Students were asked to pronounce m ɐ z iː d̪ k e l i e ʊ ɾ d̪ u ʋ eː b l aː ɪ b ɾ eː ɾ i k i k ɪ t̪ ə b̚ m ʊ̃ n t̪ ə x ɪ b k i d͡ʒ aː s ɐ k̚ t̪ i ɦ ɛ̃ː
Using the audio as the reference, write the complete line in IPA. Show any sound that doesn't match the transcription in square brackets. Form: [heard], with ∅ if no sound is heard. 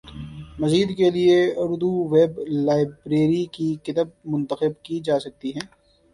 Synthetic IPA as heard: m ɐ z iː d̪ k e l i e ʊ ɾ d̪ u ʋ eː b l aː ɪ b ɾ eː ɾ i k i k ɪ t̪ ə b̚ m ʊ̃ n t̪ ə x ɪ b k i d͡ʒ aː s ɐ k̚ t̪ i ɦ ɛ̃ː